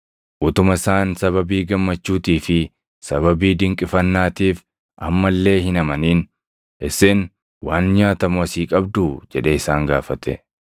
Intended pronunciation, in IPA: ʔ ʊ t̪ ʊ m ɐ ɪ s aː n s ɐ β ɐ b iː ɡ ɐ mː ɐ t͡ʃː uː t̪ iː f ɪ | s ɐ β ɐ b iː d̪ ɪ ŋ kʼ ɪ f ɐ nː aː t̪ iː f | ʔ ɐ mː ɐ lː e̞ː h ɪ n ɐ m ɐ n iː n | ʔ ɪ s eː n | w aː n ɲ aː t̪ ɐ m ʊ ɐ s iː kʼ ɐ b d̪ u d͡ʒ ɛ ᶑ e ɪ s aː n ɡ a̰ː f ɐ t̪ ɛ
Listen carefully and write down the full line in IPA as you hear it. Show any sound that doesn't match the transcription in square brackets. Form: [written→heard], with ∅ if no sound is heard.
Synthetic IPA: ʔ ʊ t̪ ʊ m ɐ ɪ s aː n s ɐ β ɐ b iː ɡ ɐ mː ɐ t͡ʃː uː t̪ iː f ɪ | s ɐ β ɐ b iː d̪ ɪ ŋ kʼ ɪ f ɐ nː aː t̪ iː f | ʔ ɐ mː ɐ lː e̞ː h ɪ n ɐ m ɐ n iː n | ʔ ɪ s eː n | w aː n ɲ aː t̪ ɐ m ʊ ɐ s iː kʼ ɐ b d̪ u d͡ʒ ɛ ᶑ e ɪ s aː [n→ŋ] ɡ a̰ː f ɐ t̪ ɛ

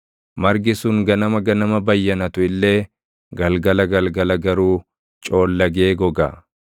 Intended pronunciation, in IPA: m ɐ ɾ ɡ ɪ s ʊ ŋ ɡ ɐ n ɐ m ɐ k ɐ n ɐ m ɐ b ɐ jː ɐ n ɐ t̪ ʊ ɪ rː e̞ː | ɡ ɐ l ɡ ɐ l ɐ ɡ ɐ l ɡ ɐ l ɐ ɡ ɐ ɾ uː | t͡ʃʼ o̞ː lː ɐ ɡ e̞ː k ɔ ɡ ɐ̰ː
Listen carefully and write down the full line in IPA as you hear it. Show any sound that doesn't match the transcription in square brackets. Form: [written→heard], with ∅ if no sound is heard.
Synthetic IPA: m ɐ ɾ ɡ ɪ s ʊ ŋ ɡ ɐ n ɐ m ɐ [k→ɡ] ɐ n ɐ m ɐ b ɐ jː ɐ n ɐ t̪ ʊ ɪ [rː→lː] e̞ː | ɡ ɐ l ɡ ɐ l ɐ ɡ ɐ l ɡ ɐ l ɐ ɡ ɐ ɾ uː | t͡ʃʼ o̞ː lː ɐ ɡ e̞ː [k→ɡ] ɔ ɡ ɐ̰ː

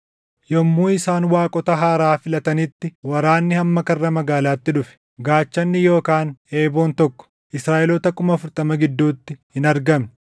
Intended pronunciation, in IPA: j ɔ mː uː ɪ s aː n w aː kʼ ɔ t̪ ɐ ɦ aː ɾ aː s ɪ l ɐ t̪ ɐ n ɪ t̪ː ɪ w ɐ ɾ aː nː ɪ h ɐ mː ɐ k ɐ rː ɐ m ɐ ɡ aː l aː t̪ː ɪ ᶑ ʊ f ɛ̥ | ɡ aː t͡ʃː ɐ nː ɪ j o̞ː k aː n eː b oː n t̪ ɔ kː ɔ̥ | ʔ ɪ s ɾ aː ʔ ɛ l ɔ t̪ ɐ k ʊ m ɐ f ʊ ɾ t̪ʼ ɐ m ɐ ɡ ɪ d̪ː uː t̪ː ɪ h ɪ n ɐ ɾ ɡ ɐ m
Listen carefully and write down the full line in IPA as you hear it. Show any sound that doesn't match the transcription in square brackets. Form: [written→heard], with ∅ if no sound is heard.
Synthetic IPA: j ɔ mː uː ɪ s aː n w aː kʼ ɔ t̪ ɐ ɦ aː ɾ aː [s→f] ɪ l ɐ t̪ ɐ n ɪ t̪ː ɪ w ɐ ɾ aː nː ɪ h ɐ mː ɐ k ɐ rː ɐ m ɐ ɡ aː l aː t̪ː ɪ ᶑ ʊ f ɛ̥ | ɡ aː t͡ʃː ɐ nː ɪ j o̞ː k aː n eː b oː n t̪ ɔ kː ɔ̥ | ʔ ɪ s ɾ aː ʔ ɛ l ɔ t̪ ɐ k ʊ m ɐ f ʊ ɾ t̪ʼ ɐ m ɐ ɡ ɪ d̪ː uː t̪ː ɪ h ɪ n ɐ ɾ ɡ ɐ m

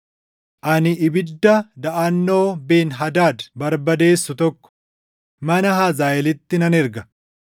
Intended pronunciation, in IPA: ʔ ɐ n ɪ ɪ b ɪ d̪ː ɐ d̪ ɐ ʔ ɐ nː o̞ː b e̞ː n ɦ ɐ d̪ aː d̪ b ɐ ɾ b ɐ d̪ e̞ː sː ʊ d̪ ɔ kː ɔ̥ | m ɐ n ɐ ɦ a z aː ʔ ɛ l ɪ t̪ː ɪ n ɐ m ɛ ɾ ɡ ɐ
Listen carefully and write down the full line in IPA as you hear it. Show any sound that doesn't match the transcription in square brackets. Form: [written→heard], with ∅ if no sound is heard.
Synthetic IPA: ʔ ɐ n ɪ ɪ b ɪ d̪ː ɐ d̪ ɐ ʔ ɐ nː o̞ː b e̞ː n ɦ ɐ d̪ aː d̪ b ɐ ɾ b ɐ d̪ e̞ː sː ʊ [d̪→t̪] ɔ kː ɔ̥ | m ɐ n ɐ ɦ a z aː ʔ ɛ l ɪ t̪ː ɪ n ɐ [m→n] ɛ ɾ ɡ ɐ

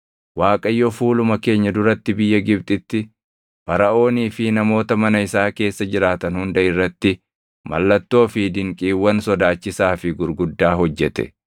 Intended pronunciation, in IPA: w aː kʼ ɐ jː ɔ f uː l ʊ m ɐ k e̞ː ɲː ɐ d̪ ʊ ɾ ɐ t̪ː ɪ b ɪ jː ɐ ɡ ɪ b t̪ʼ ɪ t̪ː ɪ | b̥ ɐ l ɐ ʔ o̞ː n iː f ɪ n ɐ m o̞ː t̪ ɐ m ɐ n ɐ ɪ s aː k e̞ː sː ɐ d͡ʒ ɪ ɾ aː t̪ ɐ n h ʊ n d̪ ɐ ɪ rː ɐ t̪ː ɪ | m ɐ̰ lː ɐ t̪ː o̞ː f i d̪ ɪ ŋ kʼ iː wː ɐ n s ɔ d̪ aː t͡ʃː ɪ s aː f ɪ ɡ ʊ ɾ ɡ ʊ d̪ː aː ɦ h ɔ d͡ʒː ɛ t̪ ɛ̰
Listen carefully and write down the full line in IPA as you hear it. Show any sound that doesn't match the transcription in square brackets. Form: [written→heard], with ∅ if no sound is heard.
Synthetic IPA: w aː kʼ ɐ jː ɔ f uː l ʊ m ɐ k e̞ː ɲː ɐ d̪ ʊ ɾ ɐ t̪ː ɪ b ɪ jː ɐ ɡ ɪ b t̪ʼ ɪ t̪ː ɪ | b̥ ɐ [l→ɾ] ɐ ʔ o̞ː n iː f ɪ n ɐ m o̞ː t̪ ɐ m ɐ n ɐ ɪ s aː k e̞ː sː ɐ d͡ʒ ɪ ɾ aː t̪ ɐ n h ʊ n d̪ ɐ ɪ rː ɐ t̪ː ɪ | m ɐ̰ lː ɐ t̪ː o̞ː f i d̪ ɪ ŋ kʼ iː wː ɐ n s ɔ d̪ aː t͡ʃː ɪ s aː f ɪ ɡ ʊ ɾ ɡ ʊ d̪ː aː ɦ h ɔ d͡ʒː ɛ t̪ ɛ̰

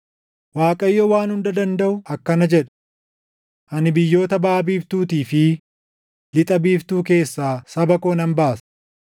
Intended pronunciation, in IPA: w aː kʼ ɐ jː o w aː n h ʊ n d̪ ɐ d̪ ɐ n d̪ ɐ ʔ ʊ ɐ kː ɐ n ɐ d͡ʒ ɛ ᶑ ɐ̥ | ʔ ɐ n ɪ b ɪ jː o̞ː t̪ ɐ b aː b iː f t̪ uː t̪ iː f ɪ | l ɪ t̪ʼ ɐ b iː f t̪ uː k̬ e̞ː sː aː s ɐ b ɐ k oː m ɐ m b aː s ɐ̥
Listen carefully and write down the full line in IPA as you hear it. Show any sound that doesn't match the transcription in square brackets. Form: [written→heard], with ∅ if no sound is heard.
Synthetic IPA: w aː kʼ ɐ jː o w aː n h ʊ n d̪ ɐ d̪ ɐ n d̪ ɐ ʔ ʊ ɐ kː ɐ n ɐ d͡ʒ ɛ ᶑ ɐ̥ | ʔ ɐ n ɪ b ɪ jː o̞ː t̪ ɐ b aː b iː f t̪ uː t̪ iː f ɪ | l ɪ t̪ʼ ɐ b iː f t̪ uː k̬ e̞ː sː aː s ɐ b ɐ k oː [m→n] ɐ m b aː s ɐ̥

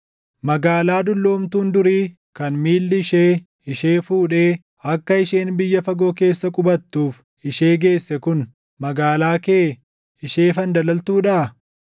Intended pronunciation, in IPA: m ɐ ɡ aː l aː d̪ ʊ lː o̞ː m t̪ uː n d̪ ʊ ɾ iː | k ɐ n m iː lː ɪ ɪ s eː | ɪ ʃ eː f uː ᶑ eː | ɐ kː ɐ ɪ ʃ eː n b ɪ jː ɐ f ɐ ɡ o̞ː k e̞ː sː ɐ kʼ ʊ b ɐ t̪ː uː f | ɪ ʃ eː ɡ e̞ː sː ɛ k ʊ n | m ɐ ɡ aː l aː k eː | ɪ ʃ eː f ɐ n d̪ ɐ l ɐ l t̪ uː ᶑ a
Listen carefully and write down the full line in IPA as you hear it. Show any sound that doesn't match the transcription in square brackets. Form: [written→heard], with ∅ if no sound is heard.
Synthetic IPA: m ɐ ɡ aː l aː d̪ ʊ lː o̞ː m t̪ uː n d̪ ʊ ɾ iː | k ɐ n m iː lː ɪ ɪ [s→ʃ] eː | ɪ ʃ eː f uː ᶑ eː | ɐ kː ɐ ɪ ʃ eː n b ɪ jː ɐ f ɐ ɡ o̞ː k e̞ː sː ɐ kʼ ʊ b ɐ t̪ː uː f | ɪ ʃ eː ɡ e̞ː sː ɛ k ʊ n | m ɐ ɡ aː l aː k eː | ɪ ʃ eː f ɐ n d̪ ɐ l ɐ l t̪ uː ᶑ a

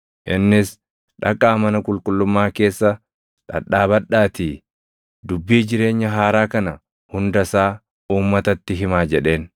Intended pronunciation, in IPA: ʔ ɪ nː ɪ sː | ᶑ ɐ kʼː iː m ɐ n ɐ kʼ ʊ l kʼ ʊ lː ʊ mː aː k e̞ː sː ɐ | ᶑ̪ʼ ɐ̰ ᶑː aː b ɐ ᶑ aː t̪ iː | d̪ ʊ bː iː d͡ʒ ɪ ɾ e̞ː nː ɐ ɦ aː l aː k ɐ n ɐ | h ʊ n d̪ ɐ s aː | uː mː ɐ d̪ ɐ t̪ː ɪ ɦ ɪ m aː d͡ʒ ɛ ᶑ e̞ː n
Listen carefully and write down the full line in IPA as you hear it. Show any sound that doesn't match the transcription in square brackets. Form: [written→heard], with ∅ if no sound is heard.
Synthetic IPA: ʔ ɪ nː ɪ [sː→s] | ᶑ ɐ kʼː [iː→aː] m ɐ n ɐ kʼ ʊ l kʼ ʊ lː ʊ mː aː k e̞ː sː ɐ | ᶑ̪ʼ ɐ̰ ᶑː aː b ɐ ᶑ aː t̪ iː | d̪ ʊ bː iː d͡ʒ ɪ ɾ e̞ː [nː→ɲː] ɐ ɦ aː [l→ɾ] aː k ɐ n ɐ | h ʊ n d̪ ɐ s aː | uː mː ɐ [d̪→t̪] ɐ t̪ː ɪ ɦ ɪ m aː d͡ʒ ɛ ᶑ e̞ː n

